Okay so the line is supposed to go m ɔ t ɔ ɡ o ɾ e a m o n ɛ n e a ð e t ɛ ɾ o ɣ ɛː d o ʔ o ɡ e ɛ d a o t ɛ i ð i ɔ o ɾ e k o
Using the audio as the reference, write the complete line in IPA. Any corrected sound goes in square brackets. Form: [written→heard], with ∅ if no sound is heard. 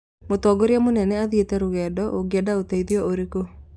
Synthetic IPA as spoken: m [ɔ→o] t ɔ ɡ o ɾ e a m o n ɛ n [e→ɛ] a ð e t ɛ ɾ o ɣ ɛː d [o→ɔ] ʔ o ɡ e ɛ d a o t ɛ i ð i ɔ o ɾ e k o